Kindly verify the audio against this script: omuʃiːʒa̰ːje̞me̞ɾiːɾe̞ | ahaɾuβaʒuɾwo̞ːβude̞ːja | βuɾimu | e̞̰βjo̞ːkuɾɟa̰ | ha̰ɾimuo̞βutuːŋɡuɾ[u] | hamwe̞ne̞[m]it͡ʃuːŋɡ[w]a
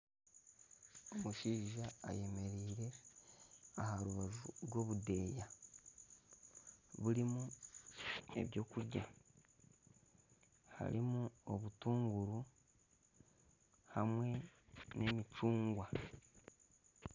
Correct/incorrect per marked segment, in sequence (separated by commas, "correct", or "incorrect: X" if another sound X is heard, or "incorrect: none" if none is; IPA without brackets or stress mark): correct, correct, correct